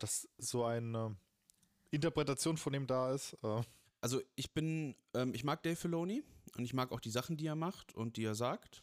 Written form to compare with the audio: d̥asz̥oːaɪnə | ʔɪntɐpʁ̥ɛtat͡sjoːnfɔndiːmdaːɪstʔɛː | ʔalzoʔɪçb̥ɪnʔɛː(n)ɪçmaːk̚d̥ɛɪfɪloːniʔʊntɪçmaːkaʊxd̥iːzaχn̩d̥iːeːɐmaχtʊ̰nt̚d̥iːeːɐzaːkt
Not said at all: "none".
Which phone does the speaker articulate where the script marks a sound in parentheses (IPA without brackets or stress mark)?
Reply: m